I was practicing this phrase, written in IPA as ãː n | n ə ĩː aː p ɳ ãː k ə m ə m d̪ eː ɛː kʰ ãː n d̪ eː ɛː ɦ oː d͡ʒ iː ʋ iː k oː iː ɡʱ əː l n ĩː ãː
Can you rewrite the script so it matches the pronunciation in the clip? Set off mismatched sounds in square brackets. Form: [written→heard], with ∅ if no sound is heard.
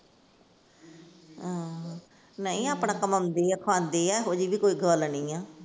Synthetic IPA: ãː [n→∅] | n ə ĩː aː p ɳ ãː k ə m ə m d̪ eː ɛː kʰ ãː n d̪ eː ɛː ɦ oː d͡ʒ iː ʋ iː k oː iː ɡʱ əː l n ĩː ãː